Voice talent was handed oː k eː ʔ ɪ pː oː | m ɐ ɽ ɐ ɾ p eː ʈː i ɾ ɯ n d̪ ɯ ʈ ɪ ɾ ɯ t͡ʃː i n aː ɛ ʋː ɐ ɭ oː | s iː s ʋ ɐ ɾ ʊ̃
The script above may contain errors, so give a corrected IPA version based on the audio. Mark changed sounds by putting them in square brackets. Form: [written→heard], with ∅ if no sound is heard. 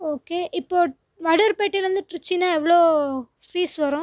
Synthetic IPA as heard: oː k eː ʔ ɪ pː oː | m ɐ ɽ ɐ ɾ p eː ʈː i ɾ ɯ n d̪ ɯ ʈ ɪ ɾ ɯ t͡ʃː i n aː ɛ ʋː ɐ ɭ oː | [s→f] iː s ʋ ɐ ɾ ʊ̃